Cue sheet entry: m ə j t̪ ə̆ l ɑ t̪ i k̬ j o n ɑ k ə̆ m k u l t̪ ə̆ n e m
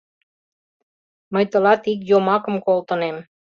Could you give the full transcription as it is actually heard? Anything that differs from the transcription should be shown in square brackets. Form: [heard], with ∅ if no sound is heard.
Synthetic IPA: m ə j t̪ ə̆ l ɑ t̪ i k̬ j o [m] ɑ k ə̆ m k [o] l t̪ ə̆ n e m